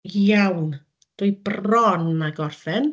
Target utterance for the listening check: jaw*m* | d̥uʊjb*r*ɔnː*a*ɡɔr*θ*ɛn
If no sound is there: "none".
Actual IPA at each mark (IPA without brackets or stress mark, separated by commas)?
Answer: n, r, a, f